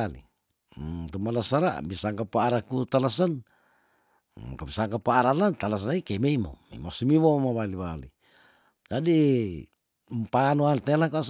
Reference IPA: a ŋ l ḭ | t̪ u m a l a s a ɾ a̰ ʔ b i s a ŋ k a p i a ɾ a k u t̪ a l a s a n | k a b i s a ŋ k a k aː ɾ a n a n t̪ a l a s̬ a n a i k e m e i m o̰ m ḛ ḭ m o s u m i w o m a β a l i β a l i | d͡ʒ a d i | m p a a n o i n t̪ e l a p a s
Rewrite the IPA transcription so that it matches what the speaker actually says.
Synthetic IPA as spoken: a l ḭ | t̪ u m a l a s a ɾ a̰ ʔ b i s a ŋ k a p a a ɾ a k u t̪ a l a s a n | k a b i s a ŋ k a p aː ɾ a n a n t̪ a l a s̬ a n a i k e m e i m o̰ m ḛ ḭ m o s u m i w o m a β a l i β a l i | d͡ʒ a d i | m p a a n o a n t̪ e l a k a s